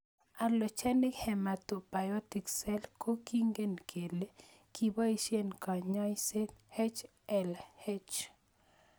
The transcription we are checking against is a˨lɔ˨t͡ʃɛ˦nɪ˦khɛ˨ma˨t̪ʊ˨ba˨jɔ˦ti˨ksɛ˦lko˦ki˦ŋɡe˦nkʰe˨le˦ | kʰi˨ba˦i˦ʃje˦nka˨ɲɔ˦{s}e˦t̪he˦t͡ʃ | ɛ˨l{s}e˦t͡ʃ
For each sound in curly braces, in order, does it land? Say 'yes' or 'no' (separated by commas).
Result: yes, no